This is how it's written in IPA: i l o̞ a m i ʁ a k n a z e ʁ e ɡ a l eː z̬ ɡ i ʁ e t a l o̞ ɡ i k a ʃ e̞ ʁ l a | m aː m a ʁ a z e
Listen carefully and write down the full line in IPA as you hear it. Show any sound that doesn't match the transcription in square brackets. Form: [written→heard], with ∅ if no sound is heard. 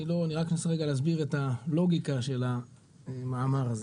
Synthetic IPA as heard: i l o̞ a [m→n] i ʁ a k n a [z→s] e ʁ e ɡ a l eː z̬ [ɡ→b] i ʁ e t a l o̞ ɡ i k a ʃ e̞ [ʁ→∅] l a | m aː m a ʁ a z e